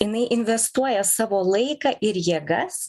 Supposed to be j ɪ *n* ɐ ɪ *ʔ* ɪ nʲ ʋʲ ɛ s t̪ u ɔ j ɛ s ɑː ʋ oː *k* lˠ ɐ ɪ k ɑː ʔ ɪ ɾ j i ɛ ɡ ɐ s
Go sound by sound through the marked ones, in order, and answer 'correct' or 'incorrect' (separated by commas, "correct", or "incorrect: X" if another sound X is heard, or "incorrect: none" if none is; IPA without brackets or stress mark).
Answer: correct, correct, incorrect: none